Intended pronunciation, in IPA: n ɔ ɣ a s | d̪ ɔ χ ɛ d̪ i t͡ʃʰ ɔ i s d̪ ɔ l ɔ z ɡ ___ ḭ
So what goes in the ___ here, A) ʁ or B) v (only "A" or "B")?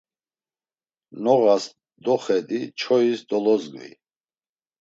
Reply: B